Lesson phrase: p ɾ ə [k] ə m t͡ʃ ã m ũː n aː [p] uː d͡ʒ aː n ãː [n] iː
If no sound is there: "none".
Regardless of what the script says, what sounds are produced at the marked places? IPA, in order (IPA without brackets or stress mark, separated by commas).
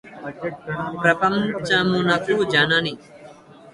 p, k, n